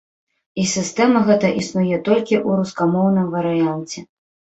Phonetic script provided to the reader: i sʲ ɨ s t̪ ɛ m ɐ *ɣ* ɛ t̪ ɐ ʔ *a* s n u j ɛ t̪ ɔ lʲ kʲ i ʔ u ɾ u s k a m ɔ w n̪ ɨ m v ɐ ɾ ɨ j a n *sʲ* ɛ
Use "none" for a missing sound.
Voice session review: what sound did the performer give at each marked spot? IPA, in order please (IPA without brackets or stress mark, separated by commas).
ɣ, i, t͡sʲ